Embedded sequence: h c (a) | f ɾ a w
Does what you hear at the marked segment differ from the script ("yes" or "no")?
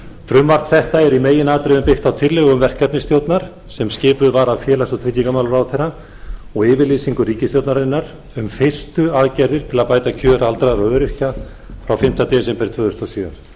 no